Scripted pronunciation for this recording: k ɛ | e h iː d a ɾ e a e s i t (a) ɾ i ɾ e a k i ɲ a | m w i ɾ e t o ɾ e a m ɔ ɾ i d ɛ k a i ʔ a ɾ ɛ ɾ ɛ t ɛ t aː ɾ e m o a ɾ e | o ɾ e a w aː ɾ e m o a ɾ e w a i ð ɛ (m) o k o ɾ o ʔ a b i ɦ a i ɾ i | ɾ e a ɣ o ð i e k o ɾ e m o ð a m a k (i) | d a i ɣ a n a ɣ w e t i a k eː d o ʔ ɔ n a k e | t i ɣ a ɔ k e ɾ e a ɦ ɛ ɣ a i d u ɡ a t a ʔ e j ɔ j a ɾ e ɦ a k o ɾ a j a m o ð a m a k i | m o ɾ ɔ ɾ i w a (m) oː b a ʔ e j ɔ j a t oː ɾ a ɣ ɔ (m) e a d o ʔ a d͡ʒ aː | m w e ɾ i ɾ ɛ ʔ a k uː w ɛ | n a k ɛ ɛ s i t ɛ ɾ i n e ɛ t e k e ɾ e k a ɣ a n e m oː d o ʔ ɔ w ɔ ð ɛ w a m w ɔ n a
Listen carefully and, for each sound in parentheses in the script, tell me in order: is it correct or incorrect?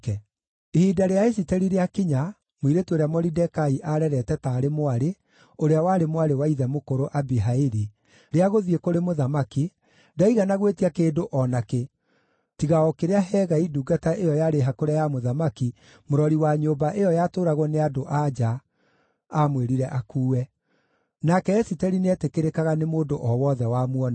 incorrect, correct, correct, incorrect, incorrect

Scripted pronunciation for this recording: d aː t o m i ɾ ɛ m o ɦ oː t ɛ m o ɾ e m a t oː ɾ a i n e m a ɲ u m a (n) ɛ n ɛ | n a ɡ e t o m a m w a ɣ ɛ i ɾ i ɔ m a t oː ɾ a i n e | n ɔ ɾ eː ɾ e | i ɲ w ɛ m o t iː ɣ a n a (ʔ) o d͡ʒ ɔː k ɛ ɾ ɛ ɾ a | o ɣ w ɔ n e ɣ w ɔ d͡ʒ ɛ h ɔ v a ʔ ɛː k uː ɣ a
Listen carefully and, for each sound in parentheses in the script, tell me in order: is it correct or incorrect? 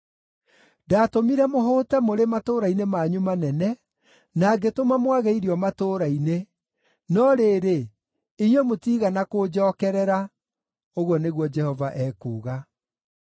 correct, incorrect

